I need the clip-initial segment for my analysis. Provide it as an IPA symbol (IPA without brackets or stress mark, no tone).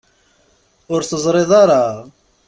ʊ